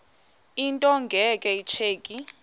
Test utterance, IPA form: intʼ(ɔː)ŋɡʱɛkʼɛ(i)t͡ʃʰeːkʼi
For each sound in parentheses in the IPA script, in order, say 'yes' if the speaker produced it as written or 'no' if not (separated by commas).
no, yes